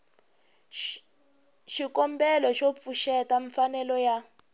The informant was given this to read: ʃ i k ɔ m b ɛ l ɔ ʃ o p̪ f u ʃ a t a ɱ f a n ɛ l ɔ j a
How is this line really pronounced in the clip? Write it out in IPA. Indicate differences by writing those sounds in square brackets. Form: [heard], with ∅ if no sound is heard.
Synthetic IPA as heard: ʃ i k ɔ m b ɛ l ɔ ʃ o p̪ f u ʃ [ɛ] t a ɱ f a n ɛ l ɔ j a